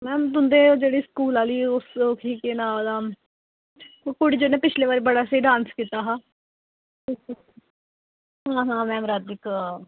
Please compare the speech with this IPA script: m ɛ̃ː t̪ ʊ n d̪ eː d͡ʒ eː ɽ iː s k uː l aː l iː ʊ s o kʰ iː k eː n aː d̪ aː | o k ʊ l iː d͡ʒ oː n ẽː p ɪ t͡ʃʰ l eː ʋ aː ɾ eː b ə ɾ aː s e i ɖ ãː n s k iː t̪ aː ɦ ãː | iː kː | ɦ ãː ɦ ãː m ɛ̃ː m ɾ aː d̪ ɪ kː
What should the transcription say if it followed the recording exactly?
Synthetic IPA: m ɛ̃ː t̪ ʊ n d̪ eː d͡ʒ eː ɽ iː s k uː l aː l iː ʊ s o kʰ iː k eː n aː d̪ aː | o k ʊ ɽ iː d͡ʒ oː n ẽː p ɪ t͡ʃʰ l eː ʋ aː ɾ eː b ə ɽ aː s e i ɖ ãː n s k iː t̪ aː ɦ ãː | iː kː | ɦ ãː ɦ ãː m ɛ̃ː m ɾ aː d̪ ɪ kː